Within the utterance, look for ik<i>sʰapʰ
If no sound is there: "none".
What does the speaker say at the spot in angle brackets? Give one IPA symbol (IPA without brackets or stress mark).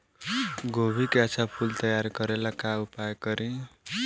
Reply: a